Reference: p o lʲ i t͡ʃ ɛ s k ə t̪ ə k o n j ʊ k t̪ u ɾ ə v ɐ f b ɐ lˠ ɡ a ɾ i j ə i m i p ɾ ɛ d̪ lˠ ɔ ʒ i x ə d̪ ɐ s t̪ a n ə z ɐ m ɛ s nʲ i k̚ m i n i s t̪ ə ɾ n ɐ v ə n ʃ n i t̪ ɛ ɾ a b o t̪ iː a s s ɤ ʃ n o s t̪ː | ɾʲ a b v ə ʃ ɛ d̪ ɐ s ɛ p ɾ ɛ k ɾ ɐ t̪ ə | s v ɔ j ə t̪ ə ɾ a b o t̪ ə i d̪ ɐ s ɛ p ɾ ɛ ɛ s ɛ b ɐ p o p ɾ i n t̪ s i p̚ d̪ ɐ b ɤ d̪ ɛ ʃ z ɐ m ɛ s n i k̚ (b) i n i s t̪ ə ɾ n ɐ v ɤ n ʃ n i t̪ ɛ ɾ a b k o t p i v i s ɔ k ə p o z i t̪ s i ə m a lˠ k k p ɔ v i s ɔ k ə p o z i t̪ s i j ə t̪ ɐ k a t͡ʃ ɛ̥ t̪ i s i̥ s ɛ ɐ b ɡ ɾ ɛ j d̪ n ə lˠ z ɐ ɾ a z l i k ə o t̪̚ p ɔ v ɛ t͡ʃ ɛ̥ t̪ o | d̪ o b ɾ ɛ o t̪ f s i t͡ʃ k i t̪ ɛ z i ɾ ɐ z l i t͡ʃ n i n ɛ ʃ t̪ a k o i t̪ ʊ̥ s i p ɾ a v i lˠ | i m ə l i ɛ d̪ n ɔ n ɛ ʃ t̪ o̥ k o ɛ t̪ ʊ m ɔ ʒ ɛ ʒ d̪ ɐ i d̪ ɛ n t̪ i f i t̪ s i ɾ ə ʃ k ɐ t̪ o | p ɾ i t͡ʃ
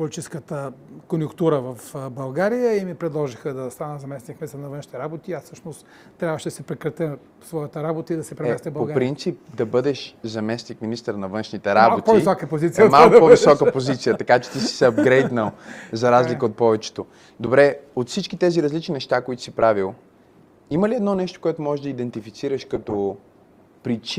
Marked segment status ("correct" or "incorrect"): incorrect